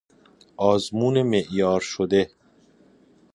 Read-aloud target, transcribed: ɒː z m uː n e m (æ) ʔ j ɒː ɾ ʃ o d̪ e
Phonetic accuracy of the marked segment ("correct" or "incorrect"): incorrect